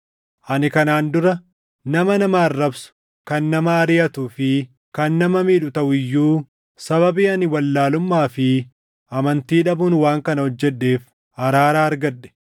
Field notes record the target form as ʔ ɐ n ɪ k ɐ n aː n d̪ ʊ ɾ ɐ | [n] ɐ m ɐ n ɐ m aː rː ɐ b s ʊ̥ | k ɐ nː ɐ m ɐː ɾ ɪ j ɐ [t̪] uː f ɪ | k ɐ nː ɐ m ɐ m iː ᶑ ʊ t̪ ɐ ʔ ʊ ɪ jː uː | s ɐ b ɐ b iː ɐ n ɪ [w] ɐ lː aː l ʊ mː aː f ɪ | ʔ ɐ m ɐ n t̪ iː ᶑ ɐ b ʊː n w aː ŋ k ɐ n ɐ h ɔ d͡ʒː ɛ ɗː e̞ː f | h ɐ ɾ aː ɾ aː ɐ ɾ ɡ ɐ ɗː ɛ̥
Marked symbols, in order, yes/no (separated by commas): yes, yes, yes